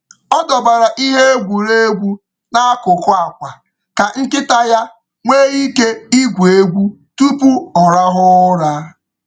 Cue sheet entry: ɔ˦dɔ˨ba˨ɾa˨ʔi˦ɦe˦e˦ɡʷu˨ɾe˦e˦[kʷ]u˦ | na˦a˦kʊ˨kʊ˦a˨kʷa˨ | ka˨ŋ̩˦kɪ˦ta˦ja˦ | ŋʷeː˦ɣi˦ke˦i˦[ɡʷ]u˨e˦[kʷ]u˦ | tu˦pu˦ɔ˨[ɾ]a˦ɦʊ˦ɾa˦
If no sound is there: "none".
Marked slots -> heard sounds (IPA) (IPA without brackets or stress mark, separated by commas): ɡʷ, ɡʷ, ɡʷ, ɾ